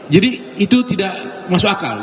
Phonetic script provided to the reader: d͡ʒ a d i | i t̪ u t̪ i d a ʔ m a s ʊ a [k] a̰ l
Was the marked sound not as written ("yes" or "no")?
no